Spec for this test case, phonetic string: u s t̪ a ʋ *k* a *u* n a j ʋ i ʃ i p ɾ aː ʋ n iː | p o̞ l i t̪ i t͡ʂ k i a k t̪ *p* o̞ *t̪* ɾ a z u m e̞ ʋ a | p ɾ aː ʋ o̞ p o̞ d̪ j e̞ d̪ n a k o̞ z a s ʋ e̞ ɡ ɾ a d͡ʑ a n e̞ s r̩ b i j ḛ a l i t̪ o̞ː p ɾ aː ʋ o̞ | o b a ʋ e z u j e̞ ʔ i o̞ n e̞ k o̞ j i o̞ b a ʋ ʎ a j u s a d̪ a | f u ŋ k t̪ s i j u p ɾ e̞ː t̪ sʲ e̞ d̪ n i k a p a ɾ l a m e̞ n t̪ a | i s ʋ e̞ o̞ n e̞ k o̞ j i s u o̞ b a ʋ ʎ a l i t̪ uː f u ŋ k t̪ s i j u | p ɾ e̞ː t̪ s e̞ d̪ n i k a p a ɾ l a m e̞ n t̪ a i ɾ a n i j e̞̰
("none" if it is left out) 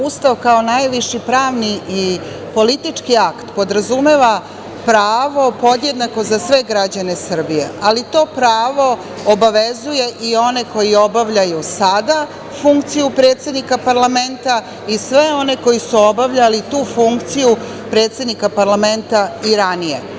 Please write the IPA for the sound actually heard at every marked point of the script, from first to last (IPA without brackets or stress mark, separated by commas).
k, o, p, d̪